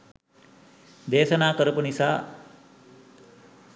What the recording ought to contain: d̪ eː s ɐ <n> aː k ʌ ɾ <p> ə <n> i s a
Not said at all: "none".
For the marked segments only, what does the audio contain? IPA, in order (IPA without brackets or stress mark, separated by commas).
n, p, n